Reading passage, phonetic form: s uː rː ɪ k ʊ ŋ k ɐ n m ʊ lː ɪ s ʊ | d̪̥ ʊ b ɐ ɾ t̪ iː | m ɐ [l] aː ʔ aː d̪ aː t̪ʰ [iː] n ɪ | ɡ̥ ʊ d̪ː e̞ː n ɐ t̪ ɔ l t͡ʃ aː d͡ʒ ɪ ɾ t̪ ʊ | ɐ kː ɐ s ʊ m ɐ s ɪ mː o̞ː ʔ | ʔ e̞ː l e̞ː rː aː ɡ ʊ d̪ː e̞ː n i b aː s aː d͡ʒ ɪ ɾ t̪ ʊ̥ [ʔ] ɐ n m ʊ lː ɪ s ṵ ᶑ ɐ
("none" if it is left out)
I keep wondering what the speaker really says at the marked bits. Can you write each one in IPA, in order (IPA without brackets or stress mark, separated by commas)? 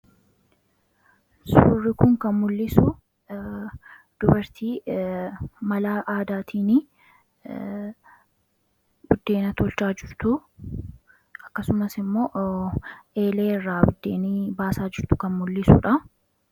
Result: l, iː, k